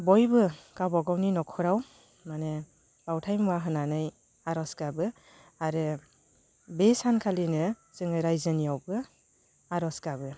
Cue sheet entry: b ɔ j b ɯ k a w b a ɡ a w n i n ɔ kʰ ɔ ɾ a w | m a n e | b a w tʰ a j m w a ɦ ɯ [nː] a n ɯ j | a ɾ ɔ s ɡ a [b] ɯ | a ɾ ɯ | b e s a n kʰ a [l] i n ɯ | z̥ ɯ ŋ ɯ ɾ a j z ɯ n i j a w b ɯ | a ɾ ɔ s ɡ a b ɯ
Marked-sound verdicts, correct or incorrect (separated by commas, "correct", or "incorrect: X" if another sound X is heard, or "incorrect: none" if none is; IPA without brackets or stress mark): incorrect: n, correct, correct